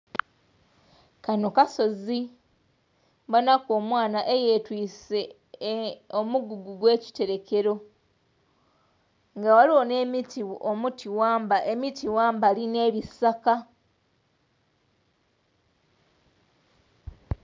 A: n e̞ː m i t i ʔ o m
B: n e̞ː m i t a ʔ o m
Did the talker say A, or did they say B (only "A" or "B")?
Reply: A